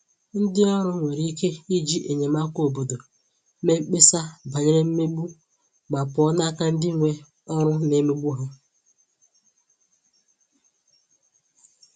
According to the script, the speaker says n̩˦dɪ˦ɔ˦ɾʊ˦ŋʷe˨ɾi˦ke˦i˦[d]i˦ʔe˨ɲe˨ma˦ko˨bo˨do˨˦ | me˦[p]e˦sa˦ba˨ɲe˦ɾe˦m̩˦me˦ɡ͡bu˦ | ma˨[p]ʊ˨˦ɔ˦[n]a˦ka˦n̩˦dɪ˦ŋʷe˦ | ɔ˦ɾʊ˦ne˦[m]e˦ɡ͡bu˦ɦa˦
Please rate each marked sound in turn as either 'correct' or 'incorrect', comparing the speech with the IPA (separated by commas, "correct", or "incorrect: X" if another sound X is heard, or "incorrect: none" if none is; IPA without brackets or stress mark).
incorrect: d͡ʒ, incorrect: k͡p, correct, correct, correct